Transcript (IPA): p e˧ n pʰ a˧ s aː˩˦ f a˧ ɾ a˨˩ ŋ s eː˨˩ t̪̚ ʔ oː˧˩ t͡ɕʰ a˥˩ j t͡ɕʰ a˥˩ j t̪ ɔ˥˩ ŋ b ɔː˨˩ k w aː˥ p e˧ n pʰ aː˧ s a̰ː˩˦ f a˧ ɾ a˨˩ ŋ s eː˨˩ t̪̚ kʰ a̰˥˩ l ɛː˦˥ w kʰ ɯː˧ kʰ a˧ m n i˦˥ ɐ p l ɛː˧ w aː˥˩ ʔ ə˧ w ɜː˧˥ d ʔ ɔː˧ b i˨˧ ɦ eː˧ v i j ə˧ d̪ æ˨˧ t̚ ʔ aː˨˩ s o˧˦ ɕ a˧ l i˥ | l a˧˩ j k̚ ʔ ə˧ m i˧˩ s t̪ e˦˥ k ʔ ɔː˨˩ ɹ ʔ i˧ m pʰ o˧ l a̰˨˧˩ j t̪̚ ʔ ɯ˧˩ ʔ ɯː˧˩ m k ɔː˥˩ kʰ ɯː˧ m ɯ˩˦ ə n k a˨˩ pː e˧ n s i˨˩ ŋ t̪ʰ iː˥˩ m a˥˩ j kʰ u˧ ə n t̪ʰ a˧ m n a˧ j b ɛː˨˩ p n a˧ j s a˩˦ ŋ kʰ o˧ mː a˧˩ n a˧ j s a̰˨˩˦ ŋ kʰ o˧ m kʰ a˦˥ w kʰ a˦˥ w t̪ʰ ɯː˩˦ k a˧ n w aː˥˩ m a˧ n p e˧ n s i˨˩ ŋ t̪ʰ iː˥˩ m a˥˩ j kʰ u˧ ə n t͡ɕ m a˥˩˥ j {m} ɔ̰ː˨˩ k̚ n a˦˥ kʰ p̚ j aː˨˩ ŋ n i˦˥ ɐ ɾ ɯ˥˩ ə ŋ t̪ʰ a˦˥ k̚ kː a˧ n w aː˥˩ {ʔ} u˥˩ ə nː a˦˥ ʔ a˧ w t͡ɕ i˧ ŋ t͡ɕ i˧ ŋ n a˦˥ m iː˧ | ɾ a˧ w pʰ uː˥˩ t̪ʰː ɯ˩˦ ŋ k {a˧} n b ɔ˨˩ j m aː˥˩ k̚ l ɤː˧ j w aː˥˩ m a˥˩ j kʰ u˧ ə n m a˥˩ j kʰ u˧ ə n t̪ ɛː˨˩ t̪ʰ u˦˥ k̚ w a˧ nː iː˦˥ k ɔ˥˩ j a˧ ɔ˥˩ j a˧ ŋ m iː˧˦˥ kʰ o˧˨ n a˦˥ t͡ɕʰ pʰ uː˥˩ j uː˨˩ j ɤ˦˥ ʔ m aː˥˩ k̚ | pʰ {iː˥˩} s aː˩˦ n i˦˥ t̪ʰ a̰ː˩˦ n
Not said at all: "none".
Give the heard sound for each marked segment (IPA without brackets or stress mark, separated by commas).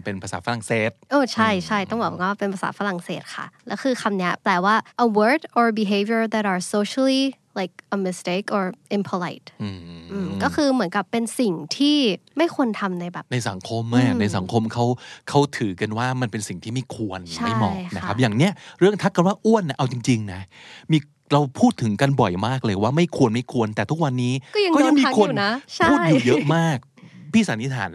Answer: m, ʔ, a˧, iː˥˩